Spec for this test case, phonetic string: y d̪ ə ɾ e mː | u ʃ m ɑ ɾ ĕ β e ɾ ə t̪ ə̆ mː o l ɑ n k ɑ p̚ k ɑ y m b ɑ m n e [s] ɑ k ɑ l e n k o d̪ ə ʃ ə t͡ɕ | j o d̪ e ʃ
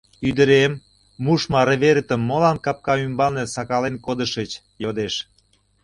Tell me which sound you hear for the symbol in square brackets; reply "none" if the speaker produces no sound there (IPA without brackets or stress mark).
s